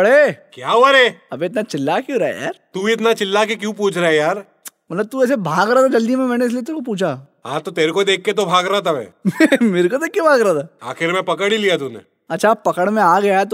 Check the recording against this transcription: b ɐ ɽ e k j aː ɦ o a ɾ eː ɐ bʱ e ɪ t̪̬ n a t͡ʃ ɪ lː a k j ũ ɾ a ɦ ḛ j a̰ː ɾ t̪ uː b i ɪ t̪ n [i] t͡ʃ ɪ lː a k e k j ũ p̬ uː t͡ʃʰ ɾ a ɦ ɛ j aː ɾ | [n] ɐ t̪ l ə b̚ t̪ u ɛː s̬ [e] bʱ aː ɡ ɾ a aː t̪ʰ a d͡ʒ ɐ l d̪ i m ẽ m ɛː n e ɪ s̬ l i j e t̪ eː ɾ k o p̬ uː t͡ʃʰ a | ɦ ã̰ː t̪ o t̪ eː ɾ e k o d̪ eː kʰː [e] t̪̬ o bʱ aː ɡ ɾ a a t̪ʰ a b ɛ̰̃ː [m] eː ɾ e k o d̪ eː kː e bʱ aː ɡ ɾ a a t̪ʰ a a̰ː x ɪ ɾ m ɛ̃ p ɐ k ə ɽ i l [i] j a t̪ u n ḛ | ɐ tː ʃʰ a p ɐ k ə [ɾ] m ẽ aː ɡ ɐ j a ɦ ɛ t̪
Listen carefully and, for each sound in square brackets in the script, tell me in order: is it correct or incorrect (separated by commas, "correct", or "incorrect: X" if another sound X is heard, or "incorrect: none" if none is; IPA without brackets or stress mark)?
incorrect: a, incorrect: m, correct, correct, correct, correct, incorrect: ɽ